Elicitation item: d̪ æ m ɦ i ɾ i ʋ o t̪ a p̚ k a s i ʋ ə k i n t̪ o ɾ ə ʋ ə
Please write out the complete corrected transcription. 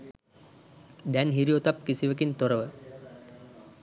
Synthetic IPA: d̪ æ n ɦ i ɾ i o t̪ a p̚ k i s i ʋ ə k i n t̪ o ɾ ə ʋ ə